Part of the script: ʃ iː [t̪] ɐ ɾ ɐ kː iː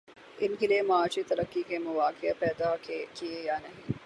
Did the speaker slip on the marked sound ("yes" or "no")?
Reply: no